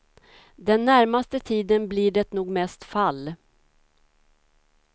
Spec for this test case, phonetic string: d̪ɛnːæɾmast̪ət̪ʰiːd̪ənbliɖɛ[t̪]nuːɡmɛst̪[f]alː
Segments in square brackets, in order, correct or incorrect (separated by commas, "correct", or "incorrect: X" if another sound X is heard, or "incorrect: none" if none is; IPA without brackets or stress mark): correct, correct